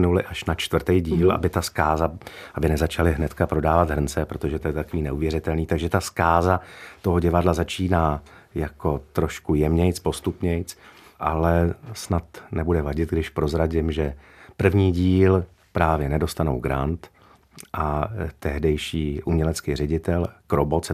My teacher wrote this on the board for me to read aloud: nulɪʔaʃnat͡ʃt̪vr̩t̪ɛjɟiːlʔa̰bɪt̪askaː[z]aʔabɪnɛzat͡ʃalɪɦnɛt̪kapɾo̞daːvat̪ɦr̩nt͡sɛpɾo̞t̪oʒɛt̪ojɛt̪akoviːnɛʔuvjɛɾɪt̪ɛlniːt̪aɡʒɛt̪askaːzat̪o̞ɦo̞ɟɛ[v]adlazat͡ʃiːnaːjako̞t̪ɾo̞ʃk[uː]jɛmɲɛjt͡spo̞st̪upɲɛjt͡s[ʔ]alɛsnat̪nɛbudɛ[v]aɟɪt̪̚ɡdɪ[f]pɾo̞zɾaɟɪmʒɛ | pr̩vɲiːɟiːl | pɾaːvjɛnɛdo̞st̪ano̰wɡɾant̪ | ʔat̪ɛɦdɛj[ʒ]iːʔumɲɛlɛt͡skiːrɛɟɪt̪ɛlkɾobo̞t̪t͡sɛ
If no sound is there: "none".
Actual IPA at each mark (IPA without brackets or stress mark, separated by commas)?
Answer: z, v, u, ʔ, v, ʃ, ʃ